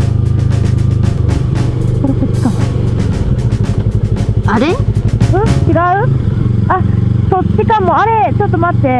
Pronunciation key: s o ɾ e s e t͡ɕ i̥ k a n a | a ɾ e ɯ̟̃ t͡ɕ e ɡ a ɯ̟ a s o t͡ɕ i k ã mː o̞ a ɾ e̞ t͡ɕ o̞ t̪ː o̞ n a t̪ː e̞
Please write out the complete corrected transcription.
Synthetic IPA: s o ɾ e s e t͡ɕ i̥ k a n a | a ɾ e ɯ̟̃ t͡ɕ i ɡ a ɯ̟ a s o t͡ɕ i k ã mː o̞ a ɾ e̞ t͡ɕ o̞ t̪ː o̞ m a t̪ː e̞